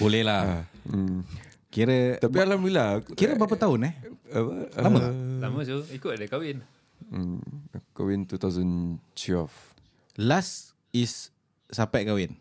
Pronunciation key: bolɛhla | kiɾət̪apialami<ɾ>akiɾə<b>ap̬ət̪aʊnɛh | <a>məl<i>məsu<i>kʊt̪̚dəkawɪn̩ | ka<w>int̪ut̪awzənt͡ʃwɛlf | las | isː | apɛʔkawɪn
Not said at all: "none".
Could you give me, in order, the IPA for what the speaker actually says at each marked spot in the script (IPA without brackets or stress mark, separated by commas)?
l, b, a, a, i, w